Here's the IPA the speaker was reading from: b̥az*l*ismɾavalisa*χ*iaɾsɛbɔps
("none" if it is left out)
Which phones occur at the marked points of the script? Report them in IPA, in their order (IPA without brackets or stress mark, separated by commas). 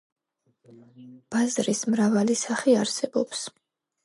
ɾ, χ